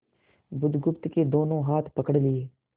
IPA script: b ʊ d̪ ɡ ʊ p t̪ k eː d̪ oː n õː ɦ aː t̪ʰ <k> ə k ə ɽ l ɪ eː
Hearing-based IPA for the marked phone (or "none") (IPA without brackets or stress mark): p